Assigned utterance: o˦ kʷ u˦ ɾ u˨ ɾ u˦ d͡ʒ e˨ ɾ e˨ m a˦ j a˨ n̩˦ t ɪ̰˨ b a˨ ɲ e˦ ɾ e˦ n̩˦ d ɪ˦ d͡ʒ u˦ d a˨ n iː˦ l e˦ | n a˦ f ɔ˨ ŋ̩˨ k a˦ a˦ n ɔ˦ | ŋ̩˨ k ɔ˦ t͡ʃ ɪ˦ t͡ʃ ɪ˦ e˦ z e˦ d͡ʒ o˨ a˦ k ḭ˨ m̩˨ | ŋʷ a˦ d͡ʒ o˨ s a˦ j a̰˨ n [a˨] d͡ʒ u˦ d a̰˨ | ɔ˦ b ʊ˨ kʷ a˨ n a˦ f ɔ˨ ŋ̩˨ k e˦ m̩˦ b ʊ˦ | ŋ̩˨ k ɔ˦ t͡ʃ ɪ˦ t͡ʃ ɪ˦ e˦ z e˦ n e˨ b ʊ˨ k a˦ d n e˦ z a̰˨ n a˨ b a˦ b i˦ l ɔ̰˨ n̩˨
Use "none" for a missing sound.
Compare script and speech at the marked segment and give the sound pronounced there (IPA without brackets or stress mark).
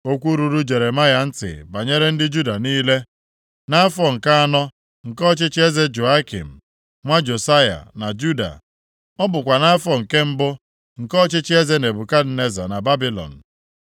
a˨